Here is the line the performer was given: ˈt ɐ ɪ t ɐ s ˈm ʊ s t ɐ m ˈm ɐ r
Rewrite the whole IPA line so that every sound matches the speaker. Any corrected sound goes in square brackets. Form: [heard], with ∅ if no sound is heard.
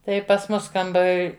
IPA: ˈt ɐ ɪ [p] ɐ s ˈm ʊ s [k] ɐ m [ˈb] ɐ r